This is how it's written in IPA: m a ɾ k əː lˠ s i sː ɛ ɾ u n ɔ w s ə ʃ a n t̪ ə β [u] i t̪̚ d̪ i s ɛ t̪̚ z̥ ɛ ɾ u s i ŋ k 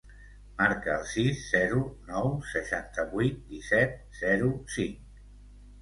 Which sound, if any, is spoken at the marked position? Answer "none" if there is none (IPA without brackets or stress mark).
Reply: u